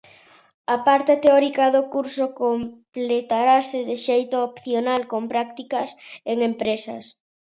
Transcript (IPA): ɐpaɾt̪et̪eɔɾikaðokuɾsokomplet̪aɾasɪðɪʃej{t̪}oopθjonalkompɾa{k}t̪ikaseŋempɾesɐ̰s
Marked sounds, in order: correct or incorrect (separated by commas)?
correct, correct